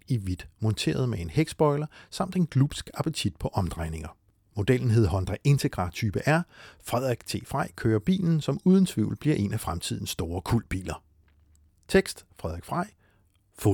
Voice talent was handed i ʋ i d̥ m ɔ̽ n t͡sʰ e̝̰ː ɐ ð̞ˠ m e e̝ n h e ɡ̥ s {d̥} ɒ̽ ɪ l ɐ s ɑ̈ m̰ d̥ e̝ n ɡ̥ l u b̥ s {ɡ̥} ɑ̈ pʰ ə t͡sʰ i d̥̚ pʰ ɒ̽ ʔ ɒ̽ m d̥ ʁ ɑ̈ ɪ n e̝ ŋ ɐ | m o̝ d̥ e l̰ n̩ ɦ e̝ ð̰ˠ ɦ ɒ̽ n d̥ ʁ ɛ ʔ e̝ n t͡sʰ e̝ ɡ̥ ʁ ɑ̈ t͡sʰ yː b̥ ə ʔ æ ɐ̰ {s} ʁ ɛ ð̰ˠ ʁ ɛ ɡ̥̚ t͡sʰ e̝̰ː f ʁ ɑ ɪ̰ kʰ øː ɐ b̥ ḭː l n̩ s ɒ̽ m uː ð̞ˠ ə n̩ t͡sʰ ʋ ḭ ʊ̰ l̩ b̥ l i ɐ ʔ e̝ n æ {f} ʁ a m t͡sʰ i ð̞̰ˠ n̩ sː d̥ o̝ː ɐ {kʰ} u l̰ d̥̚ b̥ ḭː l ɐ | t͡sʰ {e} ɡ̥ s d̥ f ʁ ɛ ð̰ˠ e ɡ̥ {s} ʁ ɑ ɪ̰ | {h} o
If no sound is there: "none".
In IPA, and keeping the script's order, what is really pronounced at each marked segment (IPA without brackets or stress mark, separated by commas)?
b̥, ɡ̥, f, f, kʰ, e, f, f